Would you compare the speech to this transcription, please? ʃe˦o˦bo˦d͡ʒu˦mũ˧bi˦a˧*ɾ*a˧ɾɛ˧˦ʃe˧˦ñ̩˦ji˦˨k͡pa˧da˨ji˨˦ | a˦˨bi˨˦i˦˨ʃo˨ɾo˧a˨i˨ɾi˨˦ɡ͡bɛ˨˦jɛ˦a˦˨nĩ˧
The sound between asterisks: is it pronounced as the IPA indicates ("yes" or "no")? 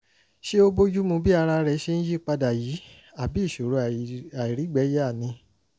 yes